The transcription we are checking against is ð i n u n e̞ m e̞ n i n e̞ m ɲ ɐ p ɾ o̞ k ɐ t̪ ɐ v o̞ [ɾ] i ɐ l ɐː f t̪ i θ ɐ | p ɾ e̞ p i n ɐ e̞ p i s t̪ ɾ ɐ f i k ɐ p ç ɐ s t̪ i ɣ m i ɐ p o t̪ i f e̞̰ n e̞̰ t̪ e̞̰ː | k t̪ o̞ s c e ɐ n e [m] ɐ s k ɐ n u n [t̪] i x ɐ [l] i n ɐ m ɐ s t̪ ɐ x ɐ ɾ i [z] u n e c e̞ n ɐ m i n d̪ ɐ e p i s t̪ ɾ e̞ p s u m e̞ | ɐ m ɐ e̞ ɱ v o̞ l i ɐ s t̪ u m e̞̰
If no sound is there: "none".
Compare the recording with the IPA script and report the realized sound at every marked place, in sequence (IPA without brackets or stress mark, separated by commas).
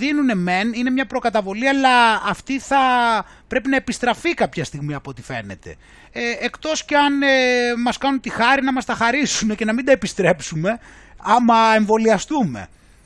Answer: l, m, t̪, ɾ, s